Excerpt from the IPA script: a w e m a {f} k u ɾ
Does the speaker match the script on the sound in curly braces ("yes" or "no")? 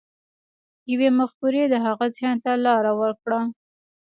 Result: no